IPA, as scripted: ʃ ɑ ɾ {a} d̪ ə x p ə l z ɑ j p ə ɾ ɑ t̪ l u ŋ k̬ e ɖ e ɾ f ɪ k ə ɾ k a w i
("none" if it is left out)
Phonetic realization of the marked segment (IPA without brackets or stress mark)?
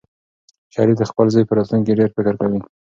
i